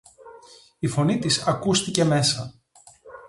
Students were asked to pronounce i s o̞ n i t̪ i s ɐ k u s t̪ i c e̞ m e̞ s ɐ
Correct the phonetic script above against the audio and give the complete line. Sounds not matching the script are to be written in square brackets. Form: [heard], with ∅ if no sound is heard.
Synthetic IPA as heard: i [f] o̞ n i t̪ i s ɐ k u s t̪ i c e̞ m e̞ s ɐ